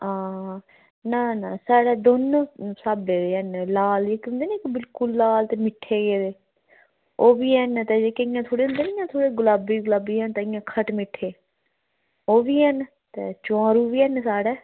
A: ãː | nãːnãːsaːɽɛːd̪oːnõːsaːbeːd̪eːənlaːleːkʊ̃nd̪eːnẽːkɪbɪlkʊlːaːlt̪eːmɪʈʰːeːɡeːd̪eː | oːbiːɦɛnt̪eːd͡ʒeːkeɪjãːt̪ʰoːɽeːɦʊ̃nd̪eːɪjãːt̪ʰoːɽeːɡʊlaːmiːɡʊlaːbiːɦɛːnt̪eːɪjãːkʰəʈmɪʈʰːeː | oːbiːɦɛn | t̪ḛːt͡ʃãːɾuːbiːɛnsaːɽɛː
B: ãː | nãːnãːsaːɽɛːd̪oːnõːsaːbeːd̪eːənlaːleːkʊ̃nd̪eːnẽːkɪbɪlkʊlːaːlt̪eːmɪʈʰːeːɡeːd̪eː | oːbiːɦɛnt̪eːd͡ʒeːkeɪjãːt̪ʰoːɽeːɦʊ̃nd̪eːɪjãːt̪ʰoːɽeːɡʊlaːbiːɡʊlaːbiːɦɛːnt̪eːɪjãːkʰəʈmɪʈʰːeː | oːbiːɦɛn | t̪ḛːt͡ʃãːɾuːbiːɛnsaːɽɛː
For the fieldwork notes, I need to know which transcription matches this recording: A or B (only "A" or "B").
B